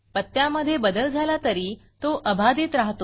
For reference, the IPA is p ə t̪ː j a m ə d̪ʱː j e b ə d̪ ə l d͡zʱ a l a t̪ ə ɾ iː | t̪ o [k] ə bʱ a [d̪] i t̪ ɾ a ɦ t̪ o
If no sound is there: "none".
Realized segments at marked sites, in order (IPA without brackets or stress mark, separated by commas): ʔ, d̪